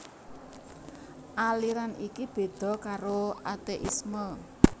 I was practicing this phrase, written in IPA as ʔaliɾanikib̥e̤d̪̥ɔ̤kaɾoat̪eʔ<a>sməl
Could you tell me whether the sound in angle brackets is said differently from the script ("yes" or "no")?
yes